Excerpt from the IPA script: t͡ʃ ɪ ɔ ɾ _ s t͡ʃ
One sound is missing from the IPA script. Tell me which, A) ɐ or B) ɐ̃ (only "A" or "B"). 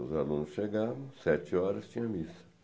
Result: A